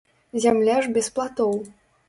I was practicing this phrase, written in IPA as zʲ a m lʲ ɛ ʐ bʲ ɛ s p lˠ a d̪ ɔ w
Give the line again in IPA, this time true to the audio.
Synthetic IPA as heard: zʲ a m lʲ a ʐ bʲ ɛ s p lˠ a t̪ ɔ w